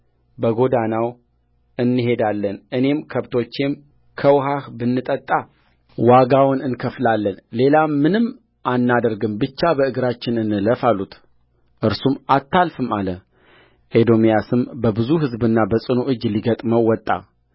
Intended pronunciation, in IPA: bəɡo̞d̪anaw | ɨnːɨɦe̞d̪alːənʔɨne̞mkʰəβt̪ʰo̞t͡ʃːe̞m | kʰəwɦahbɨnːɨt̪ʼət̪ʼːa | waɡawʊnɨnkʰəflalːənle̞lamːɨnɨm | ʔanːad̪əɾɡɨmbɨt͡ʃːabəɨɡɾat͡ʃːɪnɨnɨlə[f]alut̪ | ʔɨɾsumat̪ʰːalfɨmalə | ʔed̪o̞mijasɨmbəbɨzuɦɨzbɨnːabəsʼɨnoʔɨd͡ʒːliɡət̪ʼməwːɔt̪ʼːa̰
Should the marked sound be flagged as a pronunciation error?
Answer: no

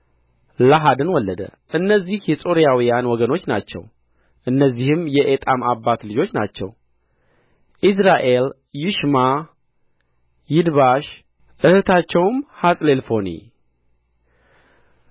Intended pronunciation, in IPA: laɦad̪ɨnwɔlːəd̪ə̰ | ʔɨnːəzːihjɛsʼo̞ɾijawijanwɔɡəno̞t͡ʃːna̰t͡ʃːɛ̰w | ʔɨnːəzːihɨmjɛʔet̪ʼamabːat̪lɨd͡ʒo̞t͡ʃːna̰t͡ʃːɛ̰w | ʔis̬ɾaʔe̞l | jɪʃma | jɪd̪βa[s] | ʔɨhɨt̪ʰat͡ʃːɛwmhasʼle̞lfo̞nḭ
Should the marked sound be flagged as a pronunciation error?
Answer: yes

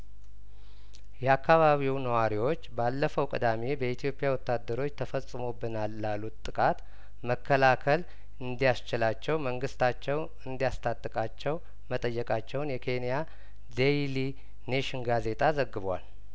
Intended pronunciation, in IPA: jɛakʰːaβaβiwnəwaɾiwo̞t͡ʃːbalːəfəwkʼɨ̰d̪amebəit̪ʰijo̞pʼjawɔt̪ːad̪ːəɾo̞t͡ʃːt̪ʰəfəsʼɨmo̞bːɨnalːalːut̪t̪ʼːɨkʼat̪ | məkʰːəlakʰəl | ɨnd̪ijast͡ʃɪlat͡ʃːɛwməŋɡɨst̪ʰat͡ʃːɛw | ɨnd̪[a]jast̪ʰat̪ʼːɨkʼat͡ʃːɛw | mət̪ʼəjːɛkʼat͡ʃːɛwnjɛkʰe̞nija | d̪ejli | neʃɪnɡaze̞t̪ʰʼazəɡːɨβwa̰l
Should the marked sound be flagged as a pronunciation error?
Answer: yes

